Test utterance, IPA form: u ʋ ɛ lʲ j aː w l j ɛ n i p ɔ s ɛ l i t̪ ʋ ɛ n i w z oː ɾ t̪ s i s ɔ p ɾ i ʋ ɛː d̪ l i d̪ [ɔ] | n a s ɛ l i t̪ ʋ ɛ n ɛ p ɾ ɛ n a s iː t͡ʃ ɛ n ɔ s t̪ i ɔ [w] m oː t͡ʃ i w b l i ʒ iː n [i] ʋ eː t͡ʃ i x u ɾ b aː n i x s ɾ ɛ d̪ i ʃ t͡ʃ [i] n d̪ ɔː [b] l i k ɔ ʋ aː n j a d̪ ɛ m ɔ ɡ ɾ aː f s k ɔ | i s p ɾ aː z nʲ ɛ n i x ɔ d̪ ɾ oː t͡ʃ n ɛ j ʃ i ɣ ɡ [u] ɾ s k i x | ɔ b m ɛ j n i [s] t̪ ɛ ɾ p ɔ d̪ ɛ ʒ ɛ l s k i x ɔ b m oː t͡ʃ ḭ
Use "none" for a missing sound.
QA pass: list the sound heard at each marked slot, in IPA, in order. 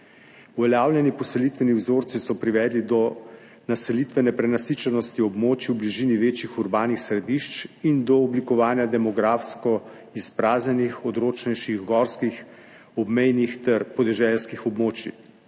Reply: ɔ, b, i, i, b, ɔ, x

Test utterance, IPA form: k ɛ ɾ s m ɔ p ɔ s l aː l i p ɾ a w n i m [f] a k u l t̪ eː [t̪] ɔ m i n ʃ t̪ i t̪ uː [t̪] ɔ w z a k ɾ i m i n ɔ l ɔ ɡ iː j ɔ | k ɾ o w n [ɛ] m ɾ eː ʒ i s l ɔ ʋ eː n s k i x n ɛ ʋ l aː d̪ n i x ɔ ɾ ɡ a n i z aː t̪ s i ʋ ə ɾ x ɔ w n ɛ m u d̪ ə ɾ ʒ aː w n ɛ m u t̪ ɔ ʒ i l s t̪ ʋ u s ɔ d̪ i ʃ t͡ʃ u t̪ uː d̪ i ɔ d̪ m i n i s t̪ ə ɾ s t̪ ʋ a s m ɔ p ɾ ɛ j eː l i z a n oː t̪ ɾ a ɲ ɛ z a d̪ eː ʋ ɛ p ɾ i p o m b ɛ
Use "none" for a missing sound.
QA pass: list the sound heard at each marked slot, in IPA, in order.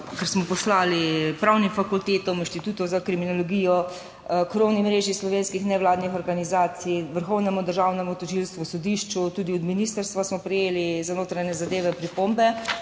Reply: f, t̪, t̪, i

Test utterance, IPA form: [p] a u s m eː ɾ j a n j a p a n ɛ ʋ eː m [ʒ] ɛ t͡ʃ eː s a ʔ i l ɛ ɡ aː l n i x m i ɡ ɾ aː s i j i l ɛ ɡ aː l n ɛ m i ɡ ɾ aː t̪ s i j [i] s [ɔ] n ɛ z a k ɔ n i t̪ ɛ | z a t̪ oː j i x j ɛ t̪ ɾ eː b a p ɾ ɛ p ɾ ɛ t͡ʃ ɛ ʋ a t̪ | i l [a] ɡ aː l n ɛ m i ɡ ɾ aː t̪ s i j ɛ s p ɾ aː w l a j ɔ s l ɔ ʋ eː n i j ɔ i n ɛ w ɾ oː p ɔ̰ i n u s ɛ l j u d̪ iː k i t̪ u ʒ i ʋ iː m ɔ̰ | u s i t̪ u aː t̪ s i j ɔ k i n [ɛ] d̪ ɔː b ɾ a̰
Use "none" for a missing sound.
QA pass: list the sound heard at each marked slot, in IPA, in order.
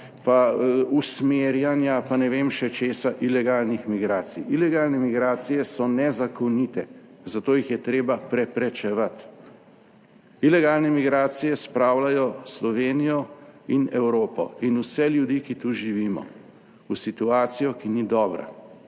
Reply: p, ʃ, ɛ, ɔ, ɛ, i

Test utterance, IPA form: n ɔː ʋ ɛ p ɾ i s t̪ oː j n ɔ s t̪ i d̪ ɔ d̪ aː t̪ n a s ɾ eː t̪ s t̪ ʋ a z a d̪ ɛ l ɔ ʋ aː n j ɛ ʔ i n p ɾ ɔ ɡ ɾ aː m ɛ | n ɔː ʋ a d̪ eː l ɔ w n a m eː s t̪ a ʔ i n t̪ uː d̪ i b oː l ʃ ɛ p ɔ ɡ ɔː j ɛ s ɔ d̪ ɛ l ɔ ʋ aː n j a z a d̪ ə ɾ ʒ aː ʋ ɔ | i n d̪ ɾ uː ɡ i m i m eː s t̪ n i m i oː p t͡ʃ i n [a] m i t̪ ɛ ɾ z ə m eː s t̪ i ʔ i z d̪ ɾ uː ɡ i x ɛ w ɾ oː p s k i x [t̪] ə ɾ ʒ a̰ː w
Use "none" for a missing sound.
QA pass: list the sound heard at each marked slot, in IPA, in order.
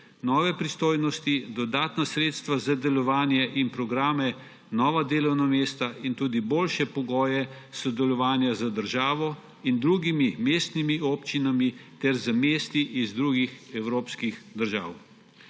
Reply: a, d̪

